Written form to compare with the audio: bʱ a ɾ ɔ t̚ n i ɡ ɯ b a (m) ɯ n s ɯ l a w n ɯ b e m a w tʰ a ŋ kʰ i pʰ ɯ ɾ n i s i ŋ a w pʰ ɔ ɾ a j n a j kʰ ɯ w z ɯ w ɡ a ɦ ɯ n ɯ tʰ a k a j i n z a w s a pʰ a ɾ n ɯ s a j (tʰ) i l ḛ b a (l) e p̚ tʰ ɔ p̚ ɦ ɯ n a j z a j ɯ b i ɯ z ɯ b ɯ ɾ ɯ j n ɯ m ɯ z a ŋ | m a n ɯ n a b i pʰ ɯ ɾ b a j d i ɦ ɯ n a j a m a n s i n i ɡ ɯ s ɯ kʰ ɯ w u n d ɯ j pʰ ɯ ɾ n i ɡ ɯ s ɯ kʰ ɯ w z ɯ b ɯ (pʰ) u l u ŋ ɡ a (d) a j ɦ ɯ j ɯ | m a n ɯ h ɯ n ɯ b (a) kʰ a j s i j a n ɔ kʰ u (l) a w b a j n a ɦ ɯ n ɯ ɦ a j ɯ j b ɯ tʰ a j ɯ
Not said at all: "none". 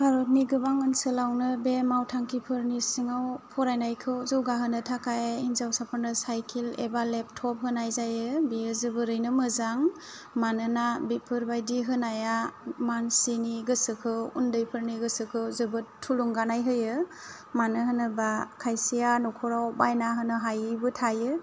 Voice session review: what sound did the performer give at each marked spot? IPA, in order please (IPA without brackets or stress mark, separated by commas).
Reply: ŋ, kʰ, l, tʰ, n, a, ɾ